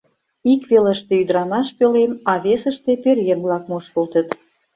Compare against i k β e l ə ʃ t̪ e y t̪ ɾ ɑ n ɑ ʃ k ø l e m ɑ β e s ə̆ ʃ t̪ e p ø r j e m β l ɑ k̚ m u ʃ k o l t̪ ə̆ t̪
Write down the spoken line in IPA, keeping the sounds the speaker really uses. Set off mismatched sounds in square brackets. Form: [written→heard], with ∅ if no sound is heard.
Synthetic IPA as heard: i k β e l ə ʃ t̪ e y [t̪→d̪] ɾ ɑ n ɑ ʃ [k→p] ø l e m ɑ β e s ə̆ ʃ t̪ e p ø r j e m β l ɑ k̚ m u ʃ k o l t̪ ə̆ t̪